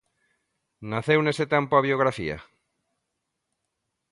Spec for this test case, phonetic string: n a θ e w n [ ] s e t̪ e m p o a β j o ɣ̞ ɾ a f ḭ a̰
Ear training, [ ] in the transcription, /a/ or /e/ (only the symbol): e